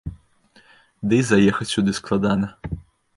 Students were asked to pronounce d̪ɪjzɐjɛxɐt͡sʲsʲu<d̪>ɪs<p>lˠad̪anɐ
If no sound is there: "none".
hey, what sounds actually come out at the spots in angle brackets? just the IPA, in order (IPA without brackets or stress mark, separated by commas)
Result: d̪, k